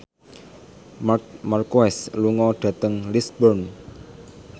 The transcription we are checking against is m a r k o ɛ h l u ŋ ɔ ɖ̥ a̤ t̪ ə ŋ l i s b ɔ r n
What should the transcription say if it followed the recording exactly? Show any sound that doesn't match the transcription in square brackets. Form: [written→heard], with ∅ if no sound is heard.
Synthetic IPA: m a r k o ɛ [h→s] l u ŋ ɔ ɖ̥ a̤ t̪ ə ŋ l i s b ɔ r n